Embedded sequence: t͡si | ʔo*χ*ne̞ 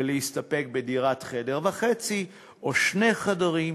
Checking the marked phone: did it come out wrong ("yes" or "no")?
yes